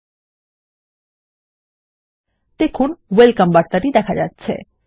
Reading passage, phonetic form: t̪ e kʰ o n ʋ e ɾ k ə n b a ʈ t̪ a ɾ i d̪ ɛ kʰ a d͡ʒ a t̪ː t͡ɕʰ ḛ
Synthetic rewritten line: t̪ e kʰ u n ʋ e l k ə m b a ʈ t̪ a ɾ i d̪ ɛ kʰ a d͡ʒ a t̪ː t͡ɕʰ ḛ

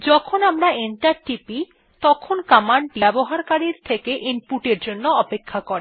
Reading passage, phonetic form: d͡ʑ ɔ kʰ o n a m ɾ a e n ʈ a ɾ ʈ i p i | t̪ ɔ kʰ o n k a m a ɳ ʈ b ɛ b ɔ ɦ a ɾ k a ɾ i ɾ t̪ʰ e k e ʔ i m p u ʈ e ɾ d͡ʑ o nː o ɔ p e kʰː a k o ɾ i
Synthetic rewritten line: d͡ʑ ɔ kʰ o n a m ɾ a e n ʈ a ɾ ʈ i p i | t̪ ɔ kʰ o n k a m a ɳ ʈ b ɛ b o ɦ a ɾ k a ɾ i ɾ t̪ʰ e k e ʔ i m p u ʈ e ɾ d͡ʑ o nː o ɔ p e kʰː a k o ɾ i

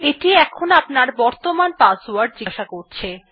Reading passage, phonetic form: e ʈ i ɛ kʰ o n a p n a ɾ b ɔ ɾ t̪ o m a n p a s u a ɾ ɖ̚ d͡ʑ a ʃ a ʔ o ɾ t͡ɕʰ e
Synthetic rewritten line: e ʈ i ɛ kʰ o n a p n a ɾ b ɔ ɾ t̪ o m a n p a s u a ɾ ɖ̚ d͡ʑ i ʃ a k o ɾ t͡ɕʰ e

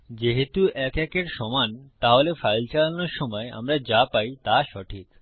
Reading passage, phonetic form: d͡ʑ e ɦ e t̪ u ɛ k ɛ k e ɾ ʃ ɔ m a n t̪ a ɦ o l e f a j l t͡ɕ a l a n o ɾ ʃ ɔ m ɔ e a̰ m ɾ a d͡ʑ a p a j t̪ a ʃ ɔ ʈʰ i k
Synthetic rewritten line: d͡ʑ e ɦ e t̪ u ɛ k ɛ k e ɾ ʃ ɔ m a n t̪ a ɦ o l e f a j l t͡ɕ a l a n o ɾ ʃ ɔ m ɔ e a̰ m ɾ a d͡ʑ a p a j t̪ a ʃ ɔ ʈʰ i k

